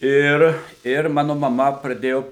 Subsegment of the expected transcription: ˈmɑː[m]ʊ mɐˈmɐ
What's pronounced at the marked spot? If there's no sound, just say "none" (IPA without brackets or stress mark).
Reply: n